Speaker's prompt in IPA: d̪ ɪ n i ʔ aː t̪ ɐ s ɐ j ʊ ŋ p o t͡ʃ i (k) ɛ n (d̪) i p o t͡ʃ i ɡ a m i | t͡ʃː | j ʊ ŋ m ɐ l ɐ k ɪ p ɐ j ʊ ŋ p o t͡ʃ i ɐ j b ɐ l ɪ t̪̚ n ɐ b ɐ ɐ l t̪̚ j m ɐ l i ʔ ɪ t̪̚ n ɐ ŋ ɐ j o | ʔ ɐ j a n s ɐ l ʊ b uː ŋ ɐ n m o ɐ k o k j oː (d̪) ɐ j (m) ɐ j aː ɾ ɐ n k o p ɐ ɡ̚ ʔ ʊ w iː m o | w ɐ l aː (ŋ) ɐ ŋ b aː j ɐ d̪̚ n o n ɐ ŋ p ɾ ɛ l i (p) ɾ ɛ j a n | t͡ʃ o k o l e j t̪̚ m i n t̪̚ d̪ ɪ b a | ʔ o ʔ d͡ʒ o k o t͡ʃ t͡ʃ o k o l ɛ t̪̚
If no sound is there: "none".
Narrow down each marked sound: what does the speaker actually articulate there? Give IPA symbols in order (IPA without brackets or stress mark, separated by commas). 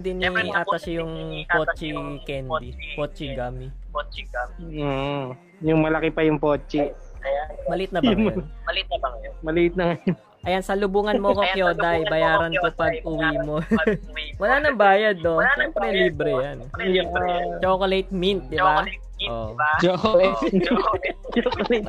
k, d̪, d̪, b, n, b